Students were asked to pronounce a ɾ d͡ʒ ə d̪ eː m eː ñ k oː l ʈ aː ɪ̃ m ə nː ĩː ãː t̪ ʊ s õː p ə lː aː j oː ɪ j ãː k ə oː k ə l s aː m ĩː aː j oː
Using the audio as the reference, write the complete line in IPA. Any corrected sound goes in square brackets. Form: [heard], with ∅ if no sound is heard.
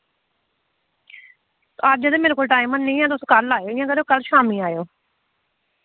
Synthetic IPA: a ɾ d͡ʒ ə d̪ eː m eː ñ k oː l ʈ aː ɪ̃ m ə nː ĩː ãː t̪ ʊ s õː [k] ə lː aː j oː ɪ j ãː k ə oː k ə l [ʃ] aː m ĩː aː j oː

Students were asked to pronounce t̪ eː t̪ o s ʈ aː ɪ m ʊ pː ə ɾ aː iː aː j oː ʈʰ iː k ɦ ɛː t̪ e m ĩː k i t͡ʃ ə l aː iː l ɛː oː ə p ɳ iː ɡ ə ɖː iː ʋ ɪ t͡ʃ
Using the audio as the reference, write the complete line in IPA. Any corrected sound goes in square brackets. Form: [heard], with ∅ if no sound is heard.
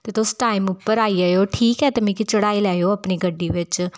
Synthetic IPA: t̪ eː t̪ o s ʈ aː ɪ m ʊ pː ə ɾ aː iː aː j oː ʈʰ iː k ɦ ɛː t̪ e m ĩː k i t͡ʃ ə [ɽ] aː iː l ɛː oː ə p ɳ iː ɡ ə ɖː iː ʋ ɪ t͡ʃ

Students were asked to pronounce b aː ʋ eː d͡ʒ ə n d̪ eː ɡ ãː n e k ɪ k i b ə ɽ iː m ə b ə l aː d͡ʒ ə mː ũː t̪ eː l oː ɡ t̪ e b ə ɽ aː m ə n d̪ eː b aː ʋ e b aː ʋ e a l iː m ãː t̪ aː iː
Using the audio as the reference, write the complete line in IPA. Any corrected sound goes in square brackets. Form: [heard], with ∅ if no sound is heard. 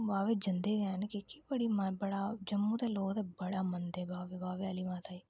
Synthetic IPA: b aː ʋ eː d͡ʒ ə n d̪ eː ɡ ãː n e k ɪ k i b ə ɽ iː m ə b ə [ɽ] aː d͡ʒ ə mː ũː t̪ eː l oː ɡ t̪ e b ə ɽ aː m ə n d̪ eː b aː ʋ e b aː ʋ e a l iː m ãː t̪ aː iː

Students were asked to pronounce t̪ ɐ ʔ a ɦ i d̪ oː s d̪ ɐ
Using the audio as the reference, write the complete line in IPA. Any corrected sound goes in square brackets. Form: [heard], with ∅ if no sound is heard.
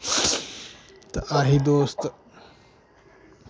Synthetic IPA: t̪ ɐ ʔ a ɦ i d̪ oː s [t̪] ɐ

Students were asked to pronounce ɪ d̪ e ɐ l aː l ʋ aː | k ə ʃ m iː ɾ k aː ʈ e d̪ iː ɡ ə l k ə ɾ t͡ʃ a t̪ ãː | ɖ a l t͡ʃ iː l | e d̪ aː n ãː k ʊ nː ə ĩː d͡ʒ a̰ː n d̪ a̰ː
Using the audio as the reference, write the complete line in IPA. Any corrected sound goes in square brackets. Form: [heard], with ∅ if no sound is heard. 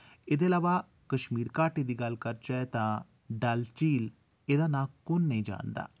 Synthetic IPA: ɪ d̪ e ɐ l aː [∅] ʋ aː | k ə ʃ m iː ɾ k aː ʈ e d̪ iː ɡ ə l k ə ɾ t͡ʃ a t̪ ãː | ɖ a l t͡ʃ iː l | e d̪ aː n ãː k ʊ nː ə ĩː d͡ʒ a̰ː n d̪ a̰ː

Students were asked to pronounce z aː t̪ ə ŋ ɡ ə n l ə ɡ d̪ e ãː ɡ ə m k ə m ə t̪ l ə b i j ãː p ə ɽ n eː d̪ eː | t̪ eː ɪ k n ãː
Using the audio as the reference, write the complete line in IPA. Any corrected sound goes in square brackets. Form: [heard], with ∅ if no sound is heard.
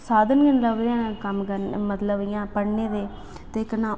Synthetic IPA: [s] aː [d̪] ə [n] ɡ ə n l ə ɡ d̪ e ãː [k] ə m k ə m ə t̪ l ə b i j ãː p ə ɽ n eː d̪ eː | t̪ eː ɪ k n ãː

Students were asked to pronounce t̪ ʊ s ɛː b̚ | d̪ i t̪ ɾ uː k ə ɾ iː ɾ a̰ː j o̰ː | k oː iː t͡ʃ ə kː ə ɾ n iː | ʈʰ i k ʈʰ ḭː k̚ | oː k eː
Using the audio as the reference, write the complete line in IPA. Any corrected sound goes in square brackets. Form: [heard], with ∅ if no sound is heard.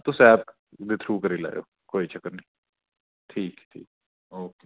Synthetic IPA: t̪ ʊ s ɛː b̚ | d̪ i [t̪ʰ] ɾ uː k ə ɾ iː [l] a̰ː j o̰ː | k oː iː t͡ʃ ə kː ə ɾ n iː | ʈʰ [iː] k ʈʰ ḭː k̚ | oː k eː

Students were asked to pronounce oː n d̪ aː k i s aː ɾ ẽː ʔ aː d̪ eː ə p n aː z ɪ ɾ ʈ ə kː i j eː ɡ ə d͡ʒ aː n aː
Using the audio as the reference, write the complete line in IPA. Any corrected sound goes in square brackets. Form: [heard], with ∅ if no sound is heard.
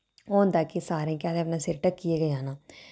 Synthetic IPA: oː n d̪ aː k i s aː ɾ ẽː [k] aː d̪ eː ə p n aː [s] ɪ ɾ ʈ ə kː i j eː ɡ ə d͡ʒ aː n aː

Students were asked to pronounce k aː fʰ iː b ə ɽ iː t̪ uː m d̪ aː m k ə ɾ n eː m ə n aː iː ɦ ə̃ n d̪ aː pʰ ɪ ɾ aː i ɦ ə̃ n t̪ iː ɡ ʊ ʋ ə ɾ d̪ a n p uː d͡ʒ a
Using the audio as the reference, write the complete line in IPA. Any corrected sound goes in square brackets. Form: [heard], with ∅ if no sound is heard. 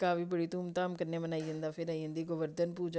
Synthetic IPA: k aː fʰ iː b ə ɽ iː t̪ uː m [t̪] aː m k ə ɾ n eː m ə n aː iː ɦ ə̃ n d̪ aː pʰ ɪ ɾ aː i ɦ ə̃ n [d̪] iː ɡ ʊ ʋ ə ɾ d̪ [ə] n p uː d͡ʒ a

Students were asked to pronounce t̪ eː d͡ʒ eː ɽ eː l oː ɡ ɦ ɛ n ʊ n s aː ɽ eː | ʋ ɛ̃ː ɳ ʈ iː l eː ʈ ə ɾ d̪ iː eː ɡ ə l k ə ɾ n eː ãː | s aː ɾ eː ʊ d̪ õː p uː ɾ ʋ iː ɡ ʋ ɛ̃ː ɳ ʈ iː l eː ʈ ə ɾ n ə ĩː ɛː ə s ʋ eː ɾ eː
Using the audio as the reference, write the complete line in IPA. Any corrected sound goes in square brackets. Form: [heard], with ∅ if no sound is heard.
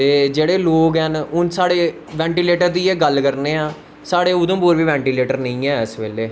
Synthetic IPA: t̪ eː d͡ʒ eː ɽ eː l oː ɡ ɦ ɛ n ʊ n s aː ɽ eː | ʋ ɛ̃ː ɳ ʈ iː l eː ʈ ə ɾ d̪ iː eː ɡ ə l k ə ɾ n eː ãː | s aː [ɽ] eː ʊ d̪ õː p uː ɾ ʋ iː [∅] ʋ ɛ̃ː ɳ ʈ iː l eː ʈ ə ɾ n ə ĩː ɛː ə s ʋ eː [l] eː

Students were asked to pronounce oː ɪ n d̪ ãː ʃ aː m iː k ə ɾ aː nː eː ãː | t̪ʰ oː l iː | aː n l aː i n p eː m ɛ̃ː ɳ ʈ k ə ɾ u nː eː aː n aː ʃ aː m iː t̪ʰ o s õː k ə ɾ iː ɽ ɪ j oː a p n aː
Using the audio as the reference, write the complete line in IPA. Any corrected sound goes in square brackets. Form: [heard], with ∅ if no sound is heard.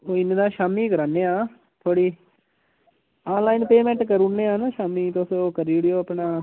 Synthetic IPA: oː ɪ n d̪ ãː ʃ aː m iː k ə ɾ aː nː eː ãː | t̪ʰ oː [ɽ] iː | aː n l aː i n p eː m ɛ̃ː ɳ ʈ k ə ɾ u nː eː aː n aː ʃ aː m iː [t̪] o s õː k ə ɾ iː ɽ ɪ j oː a p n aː

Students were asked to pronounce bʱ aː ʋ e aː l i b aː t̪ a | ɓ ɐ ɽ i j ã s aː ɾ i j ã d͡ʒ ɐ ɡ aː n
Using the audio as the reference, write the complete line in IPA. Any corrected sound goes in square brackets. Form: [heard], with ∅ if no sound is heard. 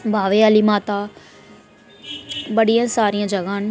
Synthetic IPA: bʱ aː ʋ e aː l i [m] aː t̪ a | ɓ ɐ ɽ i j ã s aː ɾ i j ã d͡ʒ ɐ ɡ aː n

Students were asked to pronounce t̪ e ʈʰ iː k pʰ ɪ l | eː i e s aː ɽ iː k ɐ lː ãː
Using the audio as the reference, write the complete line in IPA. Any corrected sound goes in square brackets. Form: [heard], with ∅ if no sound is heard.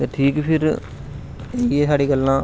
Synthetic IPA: t̪ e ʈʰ iː k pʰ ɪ [ɾ] | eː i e s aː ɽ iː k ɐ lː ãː

